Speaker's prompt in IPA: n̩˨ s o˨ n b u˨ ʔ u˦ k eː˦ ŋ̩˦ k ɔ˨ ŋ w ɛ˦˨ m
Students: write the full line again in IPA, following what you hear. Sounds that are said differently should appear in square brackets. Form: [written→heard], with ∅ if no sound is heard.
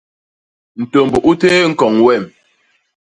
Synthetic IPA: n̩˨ [s→t] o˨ [n→m] b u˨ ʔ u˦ [k→t] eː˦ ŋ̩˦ k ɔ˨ ŋ w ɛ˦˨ m

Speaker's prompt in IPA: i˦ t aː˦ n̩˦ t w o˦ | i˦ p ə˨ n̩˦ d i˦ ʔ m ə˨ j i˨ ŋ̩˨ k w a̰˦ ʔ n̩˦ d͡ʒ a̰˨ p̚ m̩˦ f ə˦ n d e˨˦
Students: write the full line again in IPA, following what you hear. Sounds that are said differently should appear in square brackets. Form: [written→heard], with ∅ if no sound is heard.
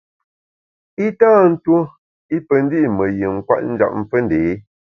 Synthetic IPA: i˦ t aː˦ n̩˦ t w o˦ | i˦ p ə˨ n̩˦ d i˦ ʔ m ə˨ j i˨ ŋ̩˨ k w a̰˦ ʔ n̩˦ d͡ʒ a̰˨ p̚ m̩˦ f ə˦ n d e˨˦

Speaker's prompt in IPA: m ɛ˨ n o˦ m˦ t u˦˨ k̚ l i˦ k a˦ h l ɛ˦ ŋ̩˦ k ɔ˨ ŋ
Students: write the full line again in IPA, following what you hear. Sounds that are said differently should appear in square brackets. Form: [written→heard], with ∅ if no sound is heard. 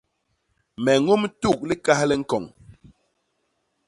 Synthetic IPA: m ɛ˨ [n→ŋ] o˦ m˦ t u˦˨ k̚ l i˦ k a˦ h l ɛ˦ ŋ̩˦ k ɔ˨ ŋ

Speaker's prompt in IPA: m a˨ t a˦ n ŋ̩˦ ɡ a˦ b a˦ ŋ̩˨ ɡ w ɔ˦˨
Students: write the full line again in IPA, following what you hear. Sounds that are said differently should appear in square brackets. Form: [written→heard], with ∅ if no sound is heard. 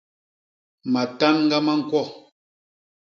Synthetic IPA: m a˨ t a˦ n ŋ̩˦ ɡ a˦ [b→m] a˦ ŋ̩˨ [ɡ→k] w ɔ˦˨

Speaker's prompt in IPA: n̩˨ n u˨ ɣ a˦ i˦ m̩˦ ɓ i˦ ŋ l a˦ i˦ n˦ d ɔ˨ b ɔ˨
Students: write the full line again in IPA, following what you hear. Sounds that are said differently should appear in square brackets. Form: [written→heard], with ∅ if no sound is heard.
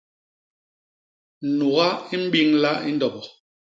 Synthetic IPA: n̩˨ n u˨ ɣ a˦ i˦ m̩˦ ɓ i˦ ŋ l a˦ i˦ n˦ d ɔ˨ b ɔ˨

